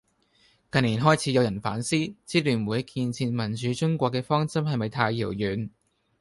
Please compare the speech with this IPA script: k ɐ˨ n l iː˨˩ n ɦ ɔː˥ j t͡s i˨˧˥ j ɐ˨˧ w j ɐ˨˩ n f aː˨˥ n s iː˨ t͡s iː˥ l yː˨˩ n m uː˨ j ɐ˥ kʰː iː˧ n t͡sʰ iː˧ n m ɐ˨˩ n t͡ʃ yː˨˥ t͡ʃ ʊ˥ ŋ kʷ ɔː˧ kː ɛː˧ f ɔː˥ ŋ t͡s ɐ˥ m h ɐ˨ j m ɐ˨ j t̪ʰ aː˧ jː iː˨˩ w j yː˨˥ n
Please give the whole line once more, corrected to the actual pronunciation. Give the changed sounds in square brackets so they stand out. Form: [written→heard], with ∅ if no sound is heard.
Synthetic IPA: k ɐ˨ n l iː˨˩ n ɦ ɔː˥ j [t͡s→t͡sʰ] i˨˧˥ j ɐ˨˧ w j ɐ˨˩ n f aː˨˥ n s [iː˨→iː˥] t͡s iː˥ l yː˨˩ n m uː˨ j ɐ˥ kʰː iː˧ n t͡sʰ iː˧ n m ɐ˨˩ n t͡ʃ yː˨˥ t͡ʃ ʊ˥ ŋ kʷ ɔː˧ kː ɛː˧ f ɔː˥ ŋ t͡s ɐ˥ m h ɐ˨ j m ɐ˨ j t̪ʰ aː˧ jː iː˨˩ w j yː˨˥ n